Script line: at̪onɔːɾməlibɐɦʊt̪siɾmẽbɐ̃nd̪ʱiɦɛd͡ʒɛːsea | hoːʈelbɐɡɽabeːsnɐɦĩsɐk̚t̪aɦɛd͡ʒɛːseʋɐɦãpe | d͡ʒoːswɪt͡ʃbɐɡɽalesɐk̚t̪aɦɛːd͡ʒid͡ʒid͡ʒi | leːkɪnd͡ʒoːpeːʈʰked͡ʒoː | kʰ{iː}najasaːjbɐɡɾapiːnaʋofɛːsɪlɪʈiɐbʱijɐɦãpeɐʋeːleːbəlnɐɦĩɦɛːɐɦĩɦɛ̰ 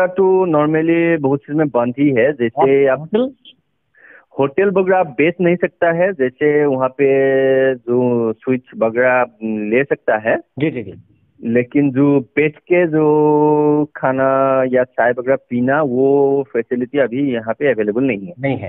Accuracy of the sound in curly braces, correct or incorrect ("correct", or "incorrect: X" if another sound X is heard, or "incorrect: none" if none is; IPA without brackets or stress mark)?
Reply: incorrect: aː